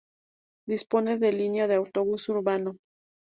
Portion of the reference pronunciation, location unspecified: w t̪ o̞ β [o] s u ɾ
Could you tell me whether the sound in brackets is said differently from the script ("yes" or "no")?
yes